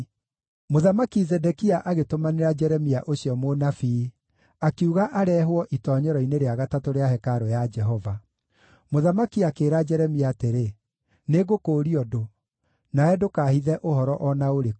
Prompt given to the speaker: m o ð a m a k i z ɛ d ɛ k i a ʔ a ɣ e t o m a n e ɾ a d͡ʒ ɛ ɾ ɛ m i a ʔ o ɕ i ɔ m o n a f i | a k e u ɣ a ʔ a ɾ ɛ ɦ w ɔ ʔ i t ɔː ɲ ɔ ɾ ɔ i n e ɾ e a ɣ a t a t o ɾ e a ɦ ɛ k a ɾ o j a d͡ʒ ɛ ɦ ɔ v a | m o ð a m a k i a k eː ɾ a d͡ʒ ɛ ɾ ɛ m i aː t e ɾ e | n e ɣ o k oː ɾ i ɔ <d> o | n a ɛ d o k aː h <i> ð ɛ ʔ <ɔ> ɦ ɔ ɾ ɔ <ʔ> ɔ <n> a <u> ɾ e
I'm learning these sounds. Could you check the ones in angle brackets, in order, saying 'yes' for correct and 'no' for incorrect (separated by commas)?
yes, yes, no, yes, yes, no